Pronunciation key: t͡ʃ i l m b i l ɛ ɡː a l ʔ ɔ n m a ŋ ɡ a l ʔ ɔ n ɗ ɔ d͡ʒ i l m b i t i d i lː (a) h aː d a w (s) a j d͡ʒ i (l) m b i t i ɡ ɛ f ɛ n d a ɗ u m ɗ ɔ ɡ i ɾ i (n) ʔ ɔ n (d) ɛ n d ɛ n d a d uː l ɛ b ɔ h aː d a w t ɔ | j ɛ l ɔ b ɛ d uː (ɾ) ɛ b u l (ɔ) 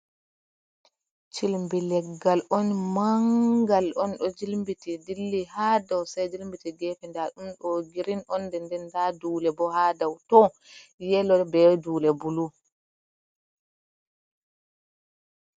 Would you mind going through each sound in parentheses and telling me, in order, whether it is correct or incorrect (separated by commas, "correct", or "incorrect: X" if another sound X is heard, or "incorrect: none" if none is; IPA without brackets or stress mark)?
incorrect: i, correct, correct, correct, correct, incorrect: l, incorrect: u